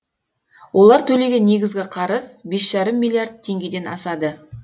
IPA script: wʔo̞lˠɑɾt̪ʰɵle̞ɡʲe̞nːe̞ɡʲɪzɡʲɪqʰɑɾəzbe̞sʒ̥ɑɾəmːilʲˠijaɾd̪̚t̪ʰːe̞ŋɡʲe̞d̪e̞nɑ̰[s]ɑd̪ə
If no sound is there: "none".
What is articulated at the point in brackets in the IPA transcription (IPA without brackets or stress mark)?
s